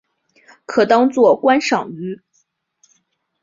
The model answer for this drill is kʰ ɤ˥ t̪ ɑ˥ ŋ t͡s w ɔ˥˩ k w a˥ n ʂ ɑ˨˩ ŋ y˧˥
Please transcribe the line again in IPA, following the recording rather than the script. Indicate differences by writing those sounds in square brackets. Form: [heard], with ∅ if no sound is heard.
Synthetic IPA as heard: kʰ [ɤ˨˩] t̪ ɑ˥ ŋ t͡s w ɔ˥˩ k w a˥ n ʂ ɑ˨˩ ŋ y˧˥